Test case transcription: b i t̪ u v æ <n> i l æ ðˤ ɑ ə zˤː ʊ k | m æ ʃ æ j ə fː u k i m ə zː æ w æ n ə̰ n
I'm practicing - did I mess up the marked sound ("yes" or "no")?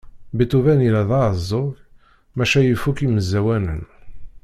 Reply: no